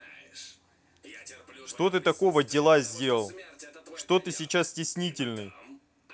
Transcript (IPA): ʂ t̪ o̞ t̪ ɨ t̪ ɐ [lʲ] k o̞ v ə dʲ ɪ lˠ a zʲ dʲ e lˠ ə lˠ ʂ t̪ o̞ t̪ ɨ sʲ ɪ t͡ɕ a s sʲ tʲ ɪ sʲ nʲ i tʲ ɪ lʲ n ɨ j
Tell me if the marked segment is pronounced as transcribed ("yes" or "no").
no